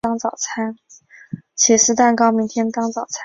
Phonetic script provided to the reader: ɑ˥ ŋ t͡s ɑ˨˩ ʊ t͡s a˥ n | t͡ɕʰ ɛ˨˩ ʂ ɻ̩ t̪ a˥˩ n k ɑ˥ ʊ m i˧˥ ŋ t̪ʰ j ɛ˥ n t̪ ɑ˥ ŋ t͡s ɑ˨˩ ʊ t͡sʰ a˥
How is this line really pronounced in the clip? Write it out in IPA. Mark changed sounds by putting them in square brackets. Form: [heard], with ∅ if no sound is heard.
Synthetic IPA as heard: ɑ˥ ŋ t͡s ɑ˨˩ ʊ [t͡sʰ] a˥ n | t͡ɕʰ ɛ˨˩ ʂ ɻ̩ t̪ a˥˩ n k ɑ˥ ʊ m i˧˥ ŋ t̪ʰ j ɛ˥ n t̪ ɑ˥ ŋ t͡s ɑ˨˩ ʊ t͡sʰ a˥